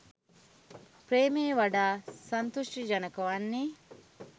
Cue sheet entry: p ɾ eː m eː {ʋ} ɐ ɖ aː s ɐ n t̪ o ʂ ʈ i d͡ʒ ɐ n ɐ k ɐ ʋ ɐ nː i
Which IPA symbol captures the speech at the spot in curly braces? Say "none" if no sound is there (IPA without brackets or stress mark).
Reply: ʋ